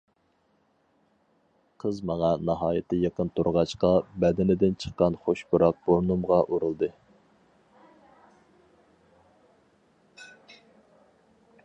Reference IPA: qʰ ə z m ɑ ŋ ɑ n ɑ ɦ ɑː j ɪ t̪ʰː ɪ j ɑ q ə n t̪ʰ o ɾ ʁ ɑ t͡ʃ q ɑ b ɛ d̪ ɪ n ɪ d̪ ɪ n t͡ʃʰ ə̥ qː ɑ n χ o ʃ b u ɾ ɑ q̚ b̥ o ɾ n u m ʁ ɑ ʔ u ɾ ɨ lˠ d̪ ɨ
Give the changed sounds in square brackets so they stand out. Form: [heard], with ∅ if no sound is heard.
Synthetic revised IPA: qʰ ə z m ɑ ŋ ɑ n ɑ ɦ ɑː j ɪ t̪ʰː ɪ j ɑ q ə n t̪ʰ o ɾ ʁ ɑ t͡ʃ q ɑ b ɛ d̪ ɪ n ɪ d̪ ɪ n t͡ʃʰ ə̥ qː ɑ n χ o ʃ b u ɾ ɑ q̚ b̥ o ɾ n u m ʁ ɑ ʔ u ɾ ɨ lˠ d̪ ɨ